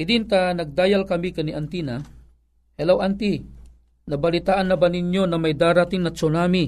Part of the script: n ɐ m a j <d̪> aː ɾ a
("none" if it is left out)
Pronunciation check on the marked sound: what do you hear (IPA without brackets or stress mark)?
d̪